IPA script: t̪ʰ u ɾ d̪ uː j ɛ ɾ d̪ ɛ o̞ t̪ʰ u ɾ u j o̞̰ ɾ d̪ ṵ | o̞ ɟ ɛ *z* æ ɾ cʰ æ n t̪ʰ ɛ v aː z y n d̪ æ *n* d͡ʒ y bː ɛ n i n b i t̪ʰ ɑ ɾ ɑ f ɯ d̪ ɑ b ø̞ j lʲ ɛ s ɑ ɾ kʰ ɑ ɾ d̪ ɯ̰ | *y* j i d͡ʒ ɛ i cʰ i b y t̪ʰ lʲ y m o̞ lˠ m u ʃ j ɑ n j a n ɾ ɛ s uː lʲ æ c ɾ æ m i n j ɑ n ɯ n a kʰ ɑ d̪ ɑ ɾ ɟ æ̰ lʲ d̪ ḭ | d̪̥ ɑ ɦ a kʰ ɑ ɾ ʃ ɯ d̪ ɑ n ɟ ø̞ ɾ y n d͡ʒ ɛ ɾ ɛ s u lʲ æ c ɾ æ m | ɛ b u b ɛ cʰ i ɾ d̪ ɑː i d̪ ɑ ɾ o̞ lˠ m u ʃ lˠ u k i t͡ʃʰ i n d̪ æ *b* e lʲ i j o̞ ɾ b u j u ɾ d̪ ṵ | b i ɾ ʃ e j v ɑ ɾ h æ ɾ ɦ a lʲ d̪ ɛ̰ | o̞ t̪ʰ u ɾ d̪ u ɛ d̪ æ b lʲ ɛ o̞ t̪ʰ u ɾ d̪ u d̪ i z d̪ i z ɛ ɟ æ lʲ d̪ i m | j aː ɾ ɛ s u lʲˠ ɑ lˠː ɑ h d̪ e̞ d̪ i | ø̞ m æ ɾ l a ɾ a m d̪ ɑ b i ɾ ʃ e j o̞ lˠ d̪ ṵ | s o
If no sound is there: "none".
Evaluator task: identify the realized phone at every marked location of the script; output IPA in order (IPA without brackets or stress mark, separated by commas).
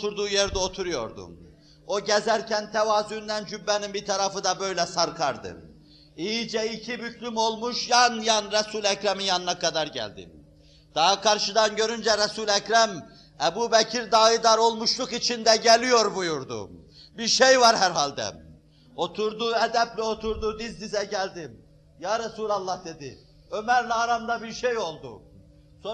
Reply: z, n, i, ɟ